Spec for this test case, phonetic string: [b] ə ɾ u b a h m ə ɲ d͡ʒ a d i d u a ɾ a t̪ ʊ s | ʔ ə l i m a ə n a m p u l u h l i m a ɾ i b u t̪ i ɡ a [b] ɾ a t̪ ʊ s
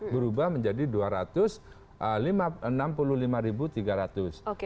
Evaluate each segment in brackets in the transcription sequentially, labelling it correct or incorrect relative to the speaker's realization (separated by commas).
correct, incorrect